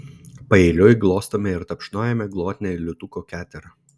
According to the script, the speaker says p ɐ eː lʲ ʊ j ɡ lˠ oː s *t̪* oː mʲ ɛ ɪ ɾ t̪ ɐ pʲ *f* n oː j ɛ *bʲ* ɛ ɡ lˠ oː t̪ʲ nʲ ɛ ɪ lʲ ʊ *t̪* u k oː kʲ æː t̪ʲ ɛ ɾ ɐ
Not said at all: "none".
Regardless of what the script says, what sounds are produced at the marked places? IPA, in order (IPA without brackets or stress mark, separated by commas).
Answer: t̪, ʃ, mʲ, t̪